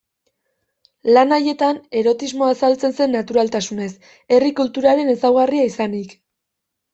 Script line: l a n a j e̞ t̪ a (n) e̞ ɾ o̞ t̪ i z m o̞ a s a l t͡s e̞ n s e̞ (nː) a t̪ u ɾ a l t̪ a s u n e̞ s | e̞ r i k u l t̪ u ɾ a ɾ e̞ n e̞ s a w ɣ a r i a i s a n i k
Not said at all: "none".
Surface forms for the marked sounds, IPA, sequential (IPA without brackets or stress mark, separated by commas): n, nː